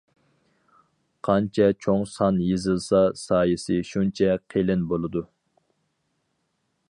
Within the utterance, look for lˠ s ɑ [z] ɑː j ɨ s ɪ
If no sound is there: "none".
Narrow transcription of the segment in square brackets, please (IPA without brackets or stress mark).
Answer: s